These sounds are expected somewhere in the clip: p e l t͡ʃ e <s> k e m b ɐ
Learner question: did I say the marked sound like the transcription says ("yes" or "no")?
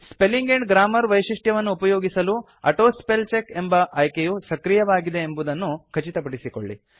no